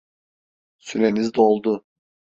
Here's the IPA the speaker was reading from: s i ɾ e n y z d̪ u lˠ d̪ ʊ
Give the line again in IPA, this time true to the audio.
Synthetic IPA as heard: s y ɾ e n i z d̪ o lˠ d̪ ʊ